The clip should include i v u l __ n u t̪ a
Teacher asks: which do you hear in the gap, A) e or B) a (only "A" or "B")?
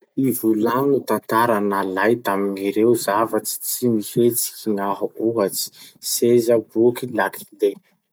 B